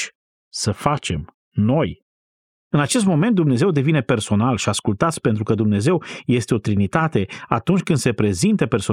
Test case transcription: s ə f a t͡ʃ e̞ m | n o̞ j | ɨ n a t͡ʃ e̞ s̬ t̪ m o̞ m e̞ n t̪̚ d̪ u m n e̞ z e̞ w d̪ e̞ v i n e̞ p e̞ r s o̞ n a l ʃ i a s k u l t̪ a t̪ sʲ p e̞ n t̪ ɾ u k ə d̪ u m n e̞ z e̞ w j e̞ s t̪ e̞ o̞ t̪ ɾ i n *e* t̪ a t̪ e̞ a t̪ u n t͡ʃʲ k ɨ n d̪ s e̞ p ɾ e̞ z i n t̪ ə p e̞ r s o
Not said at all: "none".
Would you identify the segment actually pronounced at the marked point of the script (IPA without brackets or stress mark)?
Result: i